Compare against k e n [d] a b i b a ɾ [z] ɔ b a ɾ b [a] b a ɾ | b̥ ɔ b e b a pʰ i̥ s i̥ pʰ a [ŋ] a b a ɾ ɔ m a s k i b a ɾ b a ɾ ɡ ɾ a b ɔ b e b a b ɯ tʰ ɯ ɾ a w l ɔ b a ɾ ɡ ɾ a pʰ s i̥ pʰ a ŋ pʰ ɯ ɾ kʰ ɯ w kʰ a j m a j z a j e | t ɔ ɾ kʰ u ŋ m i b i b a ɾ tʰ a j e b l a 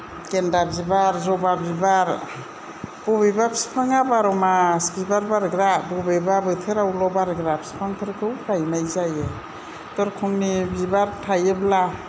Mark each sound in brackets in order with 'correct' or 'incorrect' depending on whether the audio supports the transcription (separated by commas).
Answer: correct, correct, incorrect, correct